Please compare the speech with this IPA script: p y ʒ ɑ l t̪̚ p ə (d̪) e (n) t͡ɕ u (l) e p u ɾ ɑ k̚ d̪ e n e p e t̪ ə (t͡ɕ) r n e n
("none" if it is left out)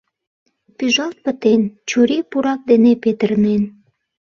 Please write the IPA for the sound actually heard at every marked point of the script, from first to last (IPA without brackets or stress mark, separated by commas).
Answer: t̪, n, ɾ, none